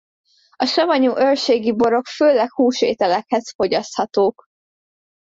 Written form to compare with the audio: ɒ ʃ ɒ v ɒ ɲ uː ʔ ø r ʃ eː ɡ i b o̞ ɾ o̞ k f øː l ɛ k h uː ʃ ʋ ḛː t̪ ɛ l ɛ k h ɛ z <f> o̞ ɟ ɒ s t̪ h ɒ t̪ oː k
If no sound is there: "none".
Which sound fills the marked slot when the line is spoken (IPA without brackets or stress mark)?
f